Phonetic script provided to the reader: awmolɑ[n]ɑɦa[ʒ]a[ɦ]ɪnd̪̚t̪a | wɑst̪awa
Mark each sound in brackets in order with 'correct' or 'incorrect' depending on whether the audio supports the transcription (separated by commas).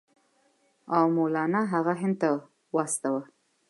correct, incorrect, correct